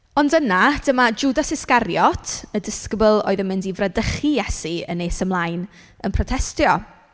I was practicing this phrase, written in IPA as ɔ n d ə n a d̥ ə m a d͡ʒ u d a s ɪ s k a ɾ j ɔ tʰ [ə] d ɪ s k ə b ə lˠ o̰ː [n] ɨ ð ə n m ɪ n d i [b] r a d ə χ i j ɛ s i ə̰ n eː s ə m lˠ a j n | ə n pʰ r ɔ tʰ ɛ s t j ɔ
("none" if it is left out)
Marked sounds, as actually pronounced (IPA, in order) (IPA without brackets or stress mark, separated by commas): ə, none, v